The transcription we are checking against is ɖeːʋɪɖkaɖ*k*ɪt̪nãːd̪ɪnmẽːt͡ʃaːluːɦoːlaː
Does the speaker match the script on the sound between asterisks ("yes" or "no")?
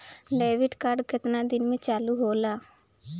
yes